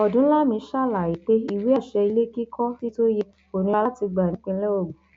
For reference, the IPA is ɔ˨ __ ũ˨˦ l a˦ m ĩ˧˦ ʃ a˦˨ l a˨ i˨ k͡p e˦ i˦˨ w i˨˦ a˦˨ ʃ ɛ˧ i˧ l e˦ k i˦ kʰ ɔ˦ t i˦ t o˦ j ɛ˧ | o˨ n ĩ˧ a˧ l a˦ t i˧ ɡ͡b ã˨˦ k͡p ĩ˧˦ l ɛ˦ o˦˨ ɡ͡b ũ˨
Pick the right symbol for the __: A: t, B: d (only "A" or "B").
B